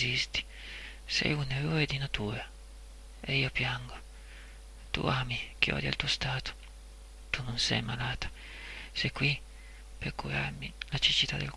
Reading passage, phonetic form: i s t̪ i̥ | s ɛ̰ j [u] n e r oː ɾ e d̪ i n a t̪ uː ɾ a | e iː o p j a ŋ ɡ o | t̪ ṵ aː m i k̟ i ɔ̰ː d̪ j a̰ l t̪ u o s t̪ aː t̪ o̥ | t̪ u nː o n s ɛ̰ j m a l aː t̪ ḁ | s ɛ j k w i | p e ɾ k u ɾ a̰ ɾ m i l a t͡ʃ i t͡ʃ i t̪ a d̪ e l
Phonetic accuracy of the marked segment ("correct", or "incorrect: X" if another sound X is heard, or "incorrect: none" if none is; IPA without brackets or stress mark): correct